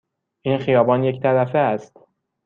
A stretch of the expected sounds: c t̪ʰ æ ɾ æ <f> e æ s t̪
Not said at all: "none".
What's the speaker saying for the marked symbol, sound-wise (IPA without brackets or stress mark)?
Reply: f